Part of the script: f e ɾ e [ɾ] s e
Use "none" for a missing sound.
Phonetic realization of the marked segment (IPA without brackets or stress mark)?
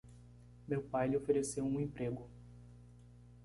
none